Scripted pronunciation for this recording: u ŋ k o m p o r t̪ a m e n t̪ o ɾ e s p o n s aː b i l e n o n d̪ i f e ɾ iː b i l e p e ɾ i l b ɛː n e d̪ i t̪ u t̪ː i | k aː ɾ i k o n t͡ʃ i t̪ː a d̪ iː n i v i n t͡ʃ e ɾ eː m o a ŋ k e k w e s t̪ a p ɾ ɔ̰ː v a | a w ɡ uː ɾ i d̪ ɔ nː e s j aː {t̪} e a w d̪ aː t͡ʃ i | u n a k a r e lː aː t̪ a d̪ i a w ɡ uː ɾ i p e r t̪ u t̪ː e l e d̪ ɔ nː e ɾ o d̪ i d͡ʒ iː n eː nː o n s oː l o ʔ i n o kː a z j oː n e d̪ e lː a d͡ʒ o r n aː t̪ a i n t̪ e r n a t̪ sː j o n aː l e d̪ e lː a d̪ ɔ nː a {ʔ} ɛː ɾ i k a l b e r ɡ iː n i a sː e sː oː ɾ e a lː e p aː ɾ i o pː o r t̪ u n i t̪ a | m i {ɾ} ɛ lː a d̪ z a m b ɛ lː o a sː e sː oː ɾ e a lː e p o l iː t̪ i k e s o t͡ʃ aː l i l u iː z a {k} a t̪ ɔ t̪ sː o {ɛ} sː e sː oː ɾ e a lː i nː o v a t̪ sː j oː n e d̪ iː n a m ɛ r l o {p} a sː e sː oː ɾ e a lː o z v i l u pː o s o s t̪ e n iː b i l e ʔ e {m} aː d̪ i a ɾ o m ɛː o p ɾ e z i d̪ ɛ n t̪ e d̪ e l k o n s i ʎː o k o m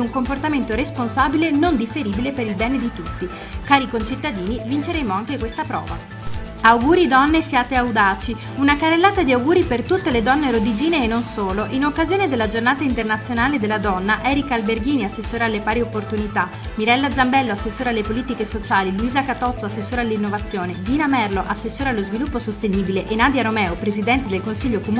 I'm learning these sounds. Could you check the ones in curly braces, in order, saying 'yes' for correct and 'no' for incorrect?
yes, yes, yes, yes, no, no, no

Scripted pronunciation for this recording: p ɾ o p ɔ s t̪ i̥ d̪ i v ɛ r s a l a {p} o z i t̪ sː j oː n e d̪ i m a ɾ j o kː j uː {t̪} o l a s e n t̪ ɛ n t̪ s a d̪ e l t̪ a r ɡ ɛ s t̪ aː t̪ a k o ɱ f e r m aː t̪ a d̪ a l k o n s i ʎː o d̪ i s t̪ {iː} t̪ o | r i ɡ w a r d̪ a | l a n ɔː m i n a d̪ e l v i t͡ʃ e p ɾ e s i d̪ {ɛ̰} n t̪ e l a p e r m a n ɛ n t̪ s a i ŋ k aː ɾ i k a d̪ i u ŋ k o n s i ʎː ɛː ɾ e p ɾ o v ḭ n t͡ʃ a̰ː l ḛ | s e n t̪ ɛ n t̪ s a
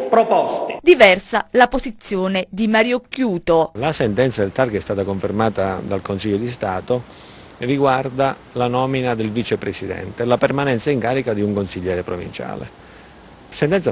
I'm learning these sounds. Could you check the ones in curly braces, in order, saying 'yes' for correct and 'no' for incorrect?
yes, yes, no, yes

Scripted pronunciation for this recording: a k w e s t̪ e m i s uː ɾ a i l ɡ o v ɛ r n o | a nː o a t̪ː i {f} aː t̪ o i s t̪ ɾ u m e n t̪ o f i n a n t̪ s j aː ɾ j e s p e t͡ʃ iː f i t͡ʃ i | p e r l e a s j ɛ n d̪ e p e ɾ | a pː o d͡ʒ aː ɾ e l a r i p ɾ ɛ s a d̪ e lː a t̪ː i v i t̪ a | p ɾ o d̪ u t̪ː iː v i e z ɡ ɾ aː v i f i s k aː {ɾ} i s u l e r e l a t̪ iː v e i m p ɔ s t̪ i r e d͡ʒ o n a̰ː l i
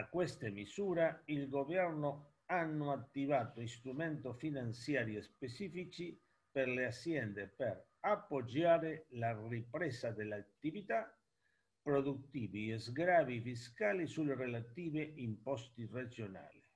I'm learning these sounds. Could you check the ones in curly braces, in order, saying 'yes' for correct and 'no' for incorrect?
no, no

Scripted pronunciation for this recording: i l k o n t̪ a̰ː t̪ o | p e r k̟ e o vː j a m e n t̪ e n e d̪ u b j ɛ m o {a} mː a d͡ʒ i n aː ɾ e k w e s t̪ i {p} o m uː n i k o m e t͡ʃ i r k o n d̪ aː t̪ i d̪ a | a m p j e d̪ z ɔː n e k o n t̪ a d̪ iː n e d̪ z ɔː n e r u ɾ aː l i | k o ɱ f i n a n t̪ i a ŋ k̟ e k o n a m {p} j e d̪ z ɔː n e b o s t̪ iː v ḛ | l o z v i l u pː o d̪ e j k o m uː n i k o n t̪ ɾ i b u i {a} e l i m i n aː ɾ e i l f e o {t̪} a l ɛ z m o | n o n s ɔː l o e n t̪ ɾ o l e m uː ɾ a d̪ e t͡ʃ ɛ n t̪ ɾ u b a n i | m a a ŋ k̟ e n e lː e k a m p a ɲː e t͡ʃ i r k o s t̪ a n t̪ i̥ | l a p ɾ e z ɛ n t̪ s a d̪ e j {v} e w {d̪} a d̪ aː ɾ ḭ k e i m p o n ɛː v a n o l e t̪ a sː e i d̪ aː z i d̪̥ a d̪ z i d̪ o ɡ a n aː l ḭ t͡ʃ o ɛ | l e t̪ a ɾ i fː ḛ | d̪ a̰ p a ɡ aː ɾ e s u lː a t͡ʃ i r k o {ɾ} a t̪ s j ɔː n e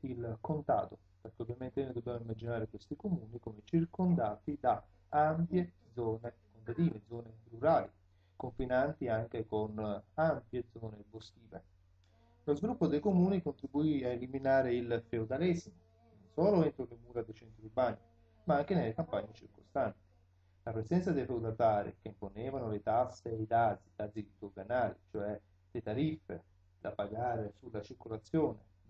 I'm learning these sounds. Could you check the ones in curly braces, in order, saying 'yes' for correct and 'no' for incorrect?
no, no, yes, yes, no, no, yes, no

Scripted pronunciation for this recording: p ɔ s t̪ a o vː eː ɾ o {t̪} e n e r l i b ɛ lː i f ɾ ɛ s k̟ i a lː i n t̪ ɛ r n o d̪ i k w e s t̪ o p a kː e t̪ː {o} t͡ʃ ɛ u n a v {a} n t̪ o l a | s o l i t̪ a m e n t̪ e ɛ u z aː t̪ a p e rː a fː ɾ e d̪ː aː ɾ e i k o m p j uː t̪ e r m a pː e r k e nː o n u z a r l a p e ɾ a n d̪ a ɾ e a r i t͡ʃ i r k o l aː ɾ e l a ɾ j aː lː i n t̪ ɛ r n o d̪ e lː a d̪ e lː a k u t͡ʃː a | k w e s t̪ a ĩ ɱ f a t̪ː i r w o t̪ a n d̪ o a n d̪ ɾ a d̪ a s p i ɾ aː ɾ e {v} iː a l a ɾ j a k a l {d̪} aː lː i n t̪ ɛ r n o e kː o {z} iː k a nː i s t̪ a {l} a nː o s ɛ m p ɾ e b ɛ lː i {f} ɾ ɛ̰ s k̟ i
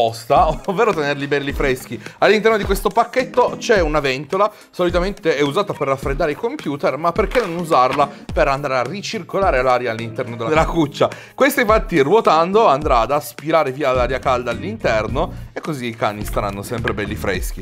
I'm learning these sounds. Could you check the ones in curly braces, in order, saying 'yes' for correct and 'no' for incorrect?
yes, yes, no, yes, yes, yes, no, yes

